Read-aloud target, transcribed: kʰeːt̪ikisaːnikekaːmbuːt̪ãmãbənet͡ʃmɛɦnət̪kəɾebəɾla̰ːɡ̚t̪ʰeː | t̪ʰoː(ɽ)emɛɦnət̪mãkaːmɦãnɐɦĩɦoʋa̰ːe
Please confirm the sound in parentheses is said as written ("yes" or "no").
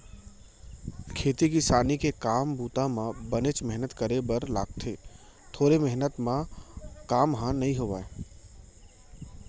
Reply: no